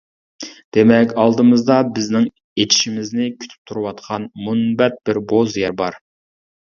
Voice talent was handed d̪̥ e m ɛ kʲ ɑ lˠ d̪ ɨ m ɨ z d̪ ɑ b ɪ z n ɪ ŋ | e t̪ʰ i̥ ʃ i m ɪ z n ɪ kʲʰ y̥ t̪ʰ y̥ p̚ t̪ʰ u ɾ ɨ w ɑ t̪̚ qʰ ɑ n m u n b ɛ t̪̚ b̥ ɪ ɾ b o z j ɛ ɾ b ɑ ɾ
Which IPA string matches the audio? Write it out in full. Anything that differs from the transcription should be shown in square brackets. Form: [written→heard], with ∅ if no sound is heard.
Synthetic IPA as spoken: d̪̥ e m ɛ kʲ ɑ lˠ d̪ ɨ m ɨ z d̪ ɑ b ɪ z n ɪ ŋ | e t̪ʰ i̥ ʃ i m ɪ z n ɪ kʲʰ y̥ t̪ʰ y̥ p̚ t̪ʰ u ɾ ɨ w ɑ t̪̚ qʰ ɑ n m u n b ɛ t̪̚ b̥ ɪ ɾ b o z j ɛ ɾ b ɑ ɾ